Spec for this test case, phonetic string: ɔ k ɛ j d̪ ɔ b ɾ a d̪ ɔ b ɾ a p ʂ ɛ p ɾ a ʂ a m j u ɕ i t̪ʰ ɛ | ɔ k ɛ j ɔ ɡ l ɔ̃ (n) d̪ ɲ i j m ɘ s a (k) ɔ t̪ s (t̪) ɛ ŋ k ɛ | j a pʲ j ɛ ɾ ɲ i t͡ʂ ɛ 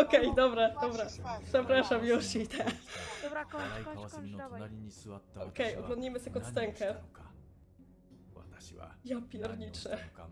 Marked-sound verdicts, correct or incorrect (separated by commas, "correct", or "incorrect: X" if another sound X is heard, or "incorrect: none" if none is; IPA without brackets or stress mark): correct, correct, correct